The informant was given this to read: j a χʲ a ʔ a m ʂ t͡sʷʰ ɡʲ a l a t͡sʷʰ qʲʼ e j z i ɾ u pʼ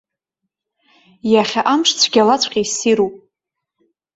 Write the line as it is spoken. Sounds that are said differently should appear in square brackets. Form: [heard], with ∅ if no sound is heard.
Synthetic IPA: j a χʲ a ʔ a m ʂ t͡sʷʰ ɡʲ a l a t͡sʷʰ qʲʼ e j [s] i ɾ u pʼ